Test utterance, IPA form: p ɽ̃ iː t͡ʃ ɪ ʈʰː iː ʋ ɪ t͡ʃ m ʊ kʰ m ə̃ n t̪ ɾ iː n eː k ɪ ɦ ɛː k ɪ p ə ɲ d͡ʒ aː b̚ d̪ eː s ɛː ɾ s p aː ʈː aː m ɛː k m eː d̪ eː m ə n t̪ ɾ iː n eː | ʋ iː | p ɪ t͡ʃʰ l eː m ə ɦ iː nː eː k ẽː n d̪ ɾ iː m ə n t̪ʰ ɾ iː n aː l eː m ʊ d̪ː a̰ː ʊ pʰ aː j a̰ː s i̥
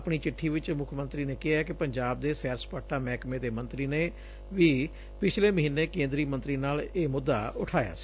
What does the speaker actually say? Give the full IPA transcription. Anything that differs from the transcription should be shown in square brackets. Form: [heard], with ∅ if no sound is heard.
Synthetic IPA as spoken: p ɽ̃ iː t͡ʃ ɪ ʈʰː iː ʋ ɪ t͡ʃ m ʊ kʰ m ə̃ n t̪ ɾ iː n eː k ɪ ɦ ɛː k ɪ p ə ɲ d͡ʒ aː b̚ d̪ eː s ɛː ɾ s p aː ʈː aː m ɛː k m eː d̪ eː m ə n t̪ ɾ iː n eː | ʋ iː | p ɪ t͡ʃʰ l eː m ə ɦ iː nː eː k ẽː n d̪ ɾ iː m ə n [t̪] ɾ iː n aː l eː m ʊ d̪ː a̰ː ʊ [ʈʰ] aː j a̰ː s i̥